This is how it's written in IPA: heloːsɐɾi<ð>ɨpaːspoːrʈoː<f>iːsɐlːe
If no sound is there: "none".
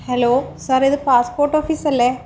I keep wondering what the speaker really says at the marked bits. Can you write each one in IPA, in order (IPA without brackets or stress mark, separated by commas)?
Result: ð, f